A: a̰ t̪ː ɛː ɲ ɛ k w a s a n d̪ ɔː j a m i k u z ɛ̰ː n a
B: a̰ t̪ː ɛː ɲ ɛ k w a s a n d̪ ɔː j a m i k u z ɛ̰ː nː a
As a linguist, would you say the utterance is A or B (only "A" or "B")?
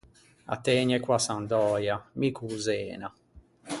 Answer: A